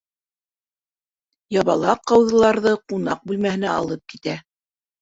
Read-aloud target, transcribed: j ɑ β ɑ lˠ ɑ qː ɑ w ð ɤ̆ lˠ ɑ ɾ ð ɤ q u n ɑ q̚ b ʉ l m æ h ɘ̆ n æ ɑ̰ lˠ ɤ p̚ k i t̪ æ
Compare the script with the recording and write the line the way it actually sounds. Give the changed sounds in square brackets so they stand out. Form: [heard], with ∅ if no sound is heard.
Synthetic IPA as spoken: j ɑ β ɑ lˠ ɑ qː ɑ w ð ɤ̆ lˠ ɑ ɾ ð ɤ q u n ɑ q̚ b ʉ l m æ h ɘ̆ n æ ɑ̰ lˠ ɤ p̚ k i t̪ æ